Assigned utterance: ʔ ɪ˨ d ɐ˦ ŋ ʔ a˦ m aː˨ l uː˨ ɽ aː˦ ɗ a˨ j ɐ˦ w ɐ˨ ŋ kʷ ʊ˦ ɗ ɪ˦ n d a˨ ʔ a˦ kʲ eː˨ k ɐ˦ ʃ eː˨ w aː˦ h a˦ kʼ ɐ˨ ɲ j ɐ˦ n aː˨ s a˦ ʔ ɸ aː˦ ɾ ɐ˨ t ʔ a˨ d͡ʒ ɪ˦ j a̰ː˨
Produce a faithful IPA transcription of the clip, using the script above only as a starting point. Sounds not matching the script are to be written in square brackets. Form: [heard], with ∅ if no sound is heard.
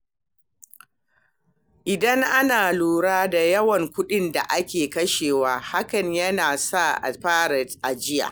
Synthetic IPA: ʔ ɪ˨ d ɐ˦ ŋ ʔ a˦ [n] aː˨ l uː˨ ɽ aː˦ [d] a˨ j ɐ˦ w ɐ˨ ŋ kʷ ʊ˦ ɗ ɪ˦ n d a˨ ʔ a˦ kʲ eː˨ k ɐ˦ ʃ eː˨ w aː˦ h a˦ [k] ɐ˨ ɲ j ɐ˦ n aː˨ s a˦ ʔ ɸ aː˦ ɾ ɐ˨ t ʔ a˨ d͡ʒ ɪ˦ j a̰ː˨